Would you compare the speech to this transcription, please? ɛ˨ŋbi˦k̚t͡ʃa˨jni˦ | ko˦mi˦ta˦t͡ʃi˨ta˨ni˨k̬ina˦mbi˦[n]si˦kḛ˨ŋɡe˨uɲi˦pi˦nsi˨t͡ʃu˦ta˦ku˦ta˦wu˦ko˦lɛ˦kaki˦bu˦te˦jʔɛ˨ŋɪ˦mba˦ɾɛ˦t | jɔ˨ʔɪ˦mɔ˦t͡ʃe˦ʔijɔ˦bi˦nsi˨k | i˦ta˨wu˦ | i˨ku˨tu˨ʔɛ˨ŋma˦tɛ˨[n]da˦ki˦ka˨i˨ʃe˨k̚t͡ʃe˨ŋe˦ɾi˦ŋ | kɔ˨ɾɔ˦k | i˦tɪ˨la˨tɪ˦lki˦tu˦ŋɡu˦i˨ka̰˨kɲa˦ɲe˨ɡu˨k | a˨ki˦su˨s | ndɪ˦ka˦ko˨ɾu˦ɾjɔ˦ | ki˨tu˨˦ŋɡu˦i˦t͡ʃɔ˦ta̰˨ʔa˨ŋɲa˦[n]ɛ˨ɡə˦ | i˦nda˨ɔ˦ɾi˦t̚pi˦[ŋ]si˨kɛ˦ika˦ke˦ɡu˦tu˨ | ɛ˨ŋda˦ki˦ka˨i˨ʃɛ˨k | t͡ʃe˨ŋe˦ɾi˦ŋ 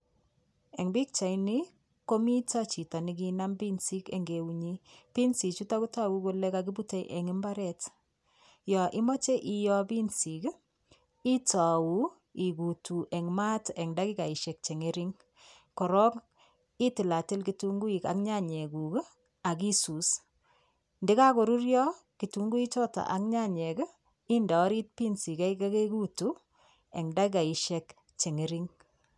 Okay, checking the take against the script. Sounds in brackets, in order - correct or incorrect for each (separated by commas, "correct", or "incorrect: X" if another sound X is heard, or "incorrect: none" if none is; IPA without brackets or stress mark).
correct, incorrect: ŋ, incorrect: ɲ, incorrect: n